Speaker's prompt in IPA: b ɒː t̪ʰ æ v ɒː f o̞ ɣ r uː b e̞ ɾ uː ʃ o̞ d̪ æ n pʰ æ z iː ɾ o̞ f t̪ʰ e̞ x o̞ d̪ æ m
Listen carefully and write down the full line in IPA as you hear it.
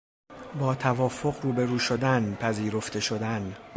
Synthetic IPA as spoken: b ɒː t̪ʰ æ v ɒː f o̞ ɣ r uː b e̞ ɾ uː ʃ o̞ d̪ æ n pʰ æ z iː ɾ o̞ f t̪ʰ e̞ ʃ o̞ d̪ æ n